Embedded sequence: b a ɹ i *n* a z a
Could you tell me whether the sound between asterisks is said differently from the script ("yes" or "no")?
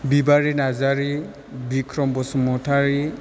no